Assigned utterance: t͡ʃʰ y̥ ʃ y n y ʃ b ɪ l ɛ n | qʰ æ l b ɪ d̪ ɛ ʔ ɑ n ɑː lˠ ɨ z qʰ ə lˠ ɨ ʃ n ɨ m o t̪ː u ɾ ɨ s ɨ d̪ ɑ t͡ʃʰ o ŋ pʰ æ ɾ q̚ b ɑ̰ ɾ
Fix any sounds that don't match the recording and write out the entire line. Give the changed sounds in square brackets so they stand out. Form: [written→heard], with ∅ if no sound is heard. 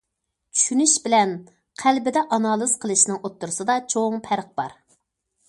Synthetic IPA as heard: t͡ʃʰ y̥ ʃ y n y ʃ b ɪ l ɛ n | qʰ æ l b ɪ d̪ ɛ ʔ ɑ n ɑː lˠ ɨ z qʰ ə lˠ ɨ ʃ n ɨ [m→ŋ] o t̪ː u ɾ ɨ s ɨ d̪ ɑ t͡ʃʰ o ŋ pʰ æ ɾ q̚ b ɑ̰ ɾ